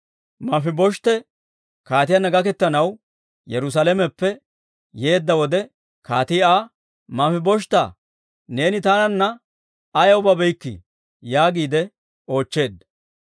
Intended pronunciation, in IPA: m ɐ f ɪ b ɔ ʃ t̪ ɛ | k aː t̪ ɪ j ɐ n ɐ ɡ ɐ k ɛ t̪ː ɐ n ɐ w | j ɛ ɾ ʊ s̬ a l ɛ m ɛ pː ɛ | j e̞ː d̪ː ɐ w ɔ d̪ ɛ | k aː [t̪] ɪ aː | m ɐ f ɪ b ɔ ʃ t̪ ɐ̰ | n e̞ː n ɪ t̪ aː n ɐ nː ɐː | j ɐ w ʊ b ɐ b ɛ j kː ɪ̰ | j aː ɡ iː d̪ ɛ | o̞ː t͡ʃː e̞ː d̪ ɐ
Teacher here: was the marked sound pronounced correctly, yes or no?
yes